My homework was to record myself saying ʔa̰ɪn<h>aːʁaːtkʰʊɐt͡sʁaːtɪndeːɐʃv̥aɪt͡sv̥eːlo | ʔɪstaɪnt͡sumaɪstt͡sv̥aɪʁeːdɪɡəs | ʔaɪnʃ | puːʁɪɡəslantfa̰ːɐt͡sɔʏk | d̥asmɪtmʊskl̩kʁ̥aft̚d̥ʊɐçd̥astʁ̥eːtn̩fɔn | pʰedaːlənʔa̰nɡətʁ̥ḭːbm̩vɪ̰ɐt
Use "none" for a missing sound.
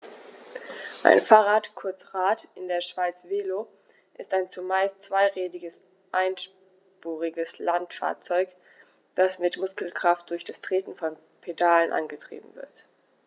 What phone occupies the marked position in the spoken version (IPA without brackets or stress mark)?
f